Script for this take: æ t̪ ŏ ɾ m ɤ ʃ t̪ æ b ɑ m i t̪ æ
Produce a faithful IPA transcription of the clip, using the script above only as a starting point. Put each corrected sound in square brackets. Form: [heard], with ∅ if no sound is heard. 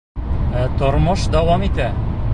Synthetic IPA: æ t̪ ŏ ɾ m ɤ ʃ [d̪] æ [w] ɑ m i t̪ æ